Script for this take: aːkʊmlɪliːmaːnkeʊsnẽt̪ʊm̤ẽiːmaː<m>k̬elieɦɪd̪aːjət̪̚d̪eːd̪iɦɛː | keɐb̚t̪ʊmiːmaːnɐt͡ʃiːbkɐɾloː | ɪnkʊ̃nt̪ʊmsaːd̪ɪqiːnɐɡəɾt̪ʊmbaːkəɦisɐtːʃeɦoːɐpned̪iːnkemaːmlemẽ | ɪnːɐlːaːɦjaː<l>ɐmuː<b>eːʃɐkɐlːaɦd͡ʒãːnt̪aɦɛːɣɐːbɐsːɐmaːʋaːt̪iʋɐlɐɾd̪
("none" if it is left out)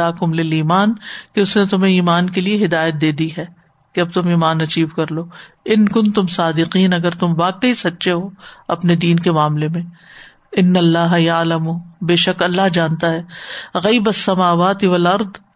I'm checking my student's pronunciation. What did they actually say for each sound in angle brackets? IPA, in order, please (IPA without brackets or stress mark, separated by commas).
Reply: n, l, b